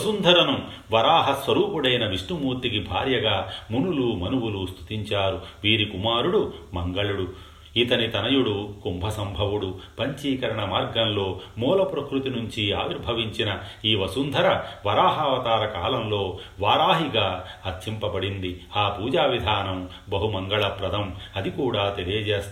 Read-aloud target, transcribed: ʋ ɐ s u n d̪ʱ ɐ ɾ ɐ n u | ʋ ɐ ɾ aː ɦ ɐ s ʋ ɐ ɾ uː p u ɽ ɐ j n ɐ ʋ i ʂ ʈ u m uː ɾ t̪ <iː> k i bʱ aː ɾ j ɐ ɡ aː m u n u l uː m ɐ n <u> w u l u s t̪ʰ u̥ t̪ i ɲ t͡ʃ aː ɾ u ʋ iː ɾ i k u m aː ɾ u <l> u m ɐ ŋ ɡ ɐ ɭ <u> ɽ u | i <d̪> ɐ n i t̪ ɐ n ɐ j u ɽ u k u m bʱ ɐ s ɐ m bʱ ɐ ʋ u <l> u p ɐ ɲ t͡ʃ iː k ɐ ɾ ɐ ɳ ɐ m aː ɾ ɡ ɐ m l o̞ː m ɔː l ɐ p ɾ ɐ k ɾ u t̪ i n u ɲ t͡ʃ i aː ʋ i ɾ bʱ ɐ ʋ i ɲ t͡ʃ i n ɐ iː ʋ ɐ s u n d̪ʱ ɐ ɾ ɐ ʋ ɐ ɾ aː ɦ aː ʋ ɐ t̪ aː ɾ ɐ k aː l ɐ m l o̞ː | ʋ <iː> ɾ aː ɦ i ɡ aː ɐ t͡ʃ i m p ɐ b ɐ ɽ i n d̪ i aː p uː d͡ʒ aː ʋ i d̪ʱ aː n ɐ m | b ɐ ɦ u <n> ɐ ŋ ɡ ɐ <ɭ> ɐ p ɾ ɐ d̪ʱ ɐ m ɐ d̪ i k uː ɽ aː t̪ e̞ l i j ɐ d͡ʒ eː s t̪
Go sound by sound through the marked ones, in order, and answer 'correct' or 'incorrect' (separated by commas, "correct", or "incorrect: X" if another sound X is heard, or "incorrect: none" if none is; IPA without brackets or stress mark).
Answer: incorrect: i, correct, incorrect: ɽ, correct, incorrect: t̪, incorrect: ɽ, incorrect: aː, incorrect: m, correct